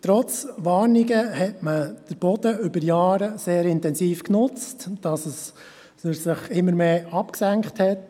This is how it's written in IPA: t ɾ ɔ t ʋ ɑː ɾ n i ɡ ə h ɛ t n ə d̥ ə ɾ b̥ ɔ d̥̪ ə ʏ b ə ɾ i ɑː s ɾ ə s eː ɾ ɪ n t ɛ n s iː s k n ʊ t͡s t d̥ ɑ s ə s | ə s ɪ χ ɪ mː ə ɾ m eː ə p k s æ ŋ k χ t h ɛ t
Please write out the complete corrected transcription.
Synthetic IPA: t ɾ ɔ t͡s ʋ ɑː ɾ n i ɡ ə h ɛ t m ə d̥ ə ɾ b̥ ɔ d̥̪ ə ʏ b ə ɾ j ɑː ɾ ə s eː ɾ ɪ n t ɛ n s iː f k n ʊ t͡s t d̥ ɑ s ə s | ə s ɪ χ ɪ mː ə ɾ m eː ɑ p k s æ ŋ k χ t h ɛ t